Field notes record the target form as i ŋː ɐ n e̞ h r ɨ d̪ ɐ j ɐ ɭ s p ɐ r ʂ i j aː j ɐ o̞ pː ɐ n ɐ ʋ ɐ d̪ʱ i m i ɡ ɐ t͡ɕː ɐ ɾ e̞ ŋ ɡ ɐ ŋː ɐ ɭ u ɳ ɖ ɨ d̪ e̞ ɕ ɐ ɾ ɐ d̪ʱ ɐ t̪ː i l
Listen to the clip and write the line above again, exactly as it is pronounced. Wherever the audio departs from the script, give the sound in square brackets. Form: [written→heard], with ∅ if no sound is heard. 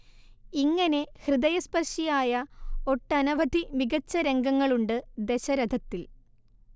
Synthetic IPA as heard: i ŋː ɐ n e̞ h r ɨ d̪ ɐ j ɐ [ɭ→∅] s p ɐ r ʂ i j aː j ɐ o̞ [pː→ʈː] ɐ n ɐ ʋ ɐ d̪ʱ i m i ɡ ɐ t͡ɕː ɐ ɾ e̞ ŋ ɡ ɐ ŋː ɐ ɭ u ɳ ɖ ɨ d̪ e̞ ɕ ɐ ɾ ɐ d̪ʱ ɐ t̪ː i l

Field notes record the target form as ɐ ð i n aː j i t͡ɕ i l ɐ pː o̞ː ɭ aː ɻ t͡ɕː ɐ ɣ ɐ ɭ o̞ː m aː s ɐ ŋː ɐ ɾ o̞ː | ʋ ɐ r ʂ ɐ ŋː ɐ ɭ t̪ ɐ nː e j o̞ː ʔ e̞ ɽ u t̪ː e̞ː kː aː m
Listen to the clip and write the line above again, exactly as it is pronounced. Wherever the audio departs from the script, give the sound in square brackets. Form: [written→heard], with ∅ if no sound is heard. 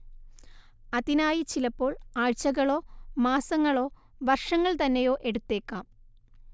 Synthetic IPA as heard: ɐ ð i n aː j i t͡ɕ i l ɐ pː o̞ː ɭ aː ɻ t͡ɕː ɐ ɣ ɐ ɭ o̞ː m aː s ɐ ŋː ɐ [ɾ→ɭ] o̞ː | ʋ ɐ r ʂ ɐ ŋː ɐ ɭ t̪ ɐ nː e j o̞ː ʔ e̞ ɽ u t̪ː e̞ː kː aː m

